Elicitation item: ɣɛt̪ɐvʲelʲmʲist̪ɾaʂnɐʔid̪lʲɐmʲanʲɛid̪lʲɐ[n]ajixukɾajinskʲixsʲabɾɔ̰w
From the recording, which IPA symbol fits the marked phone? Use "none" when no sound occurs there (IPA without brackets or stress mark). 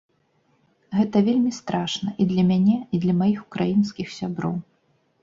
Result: m